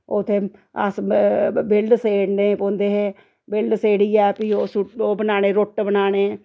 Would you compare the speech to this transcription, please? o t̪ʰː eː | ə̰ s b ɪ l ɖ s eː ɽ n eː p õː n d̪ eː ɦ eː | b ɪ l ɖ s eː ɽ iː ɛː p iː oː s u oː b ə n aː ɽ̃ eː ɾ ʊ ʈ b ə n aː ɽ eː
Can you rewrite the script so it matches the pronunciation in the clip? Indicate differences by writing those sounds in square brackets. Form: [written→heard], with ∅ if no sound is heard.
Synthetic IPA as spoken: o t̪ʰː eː | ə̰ s b ɪ l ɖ s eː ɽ n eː p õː n d̪ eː ɦ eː | b ɪ l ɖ s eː ɽ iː ɛː p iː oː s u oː b ə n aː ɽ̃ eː ɾ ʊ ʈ b ə n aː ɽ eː